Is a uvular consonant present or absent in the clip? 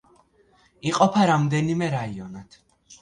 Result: present